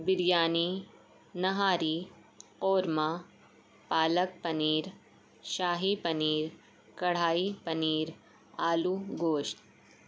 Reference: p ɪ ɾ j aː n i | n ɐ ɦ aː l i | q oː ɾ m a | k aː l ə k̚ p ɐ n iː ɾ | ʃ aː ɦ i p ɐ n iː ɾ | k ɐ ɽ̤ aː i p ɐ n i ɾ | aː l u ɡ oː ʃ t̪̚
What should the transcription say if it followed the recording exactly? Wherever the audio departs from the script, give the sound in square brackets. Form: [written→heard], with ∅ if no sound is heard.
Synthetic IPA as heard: [p→b] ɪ ɾ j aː n i | n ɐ ɦ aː [l→ɾ] i | q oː ɾ m a | [k→p] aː l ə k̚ p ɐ n iː ɾ | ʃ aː ɦ i p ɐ n iː ɾ | k ɐ ɽ̤ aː i p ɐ n [i→iː] ɾ | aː l u ɡ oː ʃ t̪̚